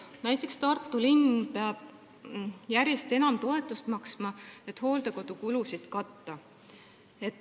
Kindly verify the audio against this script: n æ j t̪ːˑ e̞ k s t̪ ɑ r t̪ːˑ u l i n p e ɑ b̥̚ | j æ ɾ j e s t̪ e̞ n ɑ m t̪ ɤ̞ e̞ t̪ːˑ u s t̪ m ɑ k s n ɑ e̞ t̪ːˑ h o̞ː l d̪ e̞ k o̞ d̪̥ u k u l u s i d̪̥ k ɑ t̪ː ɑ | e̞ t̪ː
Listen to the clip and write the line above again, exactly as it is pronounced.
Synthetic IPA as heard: n æ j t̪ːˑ e̞ k s t̪ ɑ r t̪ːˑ u l i n p e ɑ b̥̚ | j æ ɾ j e s t̪ e̞ n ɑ m t̪ o̞ e̞ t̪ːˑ u s t̪ m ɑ k s m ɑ e̞ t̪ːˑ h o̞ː l d̪ e̞ k o̞ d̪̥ u k u l u s i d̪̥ k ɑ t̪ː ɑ | e̞ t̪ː